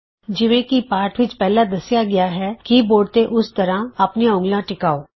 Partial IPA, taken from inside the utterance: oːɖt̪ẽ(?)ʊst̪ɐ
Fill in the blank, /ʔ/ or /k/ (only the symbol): ʔ